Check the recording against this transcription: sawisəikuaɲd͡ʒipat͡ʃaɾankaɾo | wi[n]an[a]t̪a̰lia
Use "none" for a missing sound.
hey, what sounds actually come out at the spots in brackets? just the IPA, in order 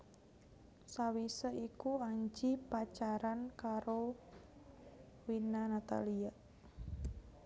n, a

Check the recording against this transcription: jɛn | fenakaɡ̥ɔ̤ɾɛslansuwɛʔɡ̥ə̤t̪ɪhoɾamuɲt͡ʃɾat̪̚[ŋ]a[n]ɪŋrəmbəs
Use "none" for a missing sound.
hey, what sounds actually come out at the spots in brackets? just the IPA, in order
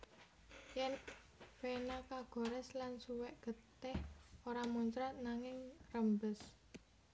n, ŋ

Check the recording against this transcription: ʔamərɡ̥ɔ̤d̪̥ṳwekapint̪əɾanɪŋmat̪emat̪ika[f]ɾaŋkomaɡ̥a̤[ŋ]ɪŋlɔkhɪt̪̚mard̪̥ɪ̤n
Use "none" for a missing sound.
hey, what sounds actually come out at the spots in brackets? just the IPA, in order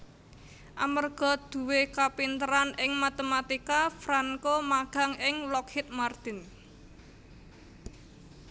f, ŋ

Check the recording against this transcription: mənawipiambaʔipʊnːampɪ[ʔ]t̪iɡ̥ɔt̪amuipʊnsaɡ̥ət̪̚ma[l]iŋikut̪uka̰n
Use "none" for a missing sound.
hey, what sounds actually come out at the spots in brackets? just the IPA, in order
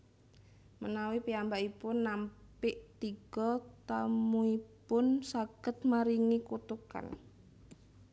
ʔ, ɾ

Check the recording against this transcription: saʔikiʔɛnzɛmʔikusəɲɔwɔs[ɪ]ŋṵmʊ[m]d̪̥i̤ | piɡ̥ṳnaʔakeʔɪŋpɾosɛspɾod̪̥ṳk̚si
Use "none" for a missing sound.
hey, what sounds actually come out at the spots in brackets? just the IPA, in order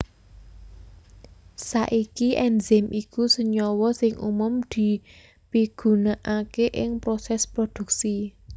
ɪ, m

